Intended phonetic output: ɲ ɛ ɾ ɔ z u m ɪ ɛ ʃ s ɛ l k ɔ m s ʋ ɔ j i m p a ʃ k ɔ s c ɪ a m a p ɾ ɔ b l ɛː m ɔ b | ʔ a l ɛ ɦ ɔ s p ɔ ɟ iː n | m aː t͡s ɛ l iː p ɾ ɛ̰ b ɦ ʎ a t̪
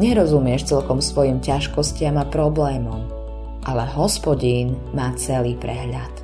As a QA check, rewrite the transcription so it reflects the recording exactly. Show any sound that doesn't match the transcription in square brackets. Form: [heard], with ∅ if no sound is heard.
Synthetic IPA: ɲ ɛ ɾ ɔ z u m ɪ ɛ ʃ [t͡s] ɛ l k ɔ m s ʋ ɔ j i m [c] a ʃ k ɔ s c ɪ a m a p ɾ ɔ b l ɛː m ɔ [m] | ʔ a l ɛ ɦ ɔ s p ɔ ɟ iː n | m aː t͡s ɛ l iː p ɾ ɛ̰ [∅] ɦ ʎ a t̪